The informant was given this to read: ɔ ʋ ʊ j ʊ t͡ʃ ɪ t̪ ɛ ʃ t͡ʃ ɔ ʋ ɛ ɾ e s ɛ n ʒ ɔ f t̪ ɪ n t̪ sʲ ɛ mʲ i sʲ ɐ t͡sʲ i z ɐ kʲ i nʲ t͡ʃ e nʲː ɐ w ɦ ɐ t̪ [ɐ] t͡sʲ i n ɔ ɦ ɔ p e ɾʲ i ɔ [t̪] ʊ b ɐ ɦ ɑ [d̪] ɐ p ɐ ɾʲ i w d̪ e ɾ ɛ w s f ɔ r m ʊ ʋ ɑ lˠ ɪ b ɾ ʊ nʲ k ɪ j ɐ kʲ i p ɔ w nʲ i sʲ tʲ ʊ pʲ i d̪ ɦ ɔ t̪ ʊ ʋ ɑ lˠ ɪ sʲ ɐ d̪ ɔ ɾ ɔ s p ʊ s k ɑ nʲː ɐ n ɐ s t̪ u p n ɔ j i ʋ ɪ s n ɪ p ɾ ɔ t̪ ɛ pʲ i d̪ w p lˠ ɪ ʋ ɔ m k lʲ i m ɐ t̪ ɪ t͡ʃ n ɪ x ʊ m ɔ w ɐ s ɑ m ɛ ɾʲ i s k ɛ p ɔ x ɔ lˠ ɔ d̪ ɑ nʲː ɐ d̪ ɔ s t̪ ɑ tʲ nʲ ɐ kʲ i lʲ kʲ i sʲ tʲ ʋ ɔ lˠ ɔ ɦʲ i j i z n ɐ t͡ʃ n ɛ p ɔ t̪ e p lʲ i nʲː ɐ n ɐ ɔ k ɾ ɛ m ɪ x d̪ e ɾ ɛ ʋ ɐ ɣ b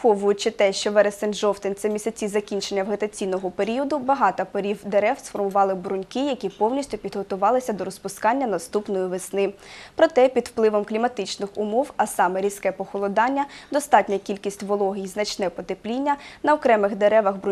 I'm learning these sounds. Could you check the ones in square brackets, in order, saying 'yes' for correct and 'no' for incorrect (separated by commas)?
yes, no, no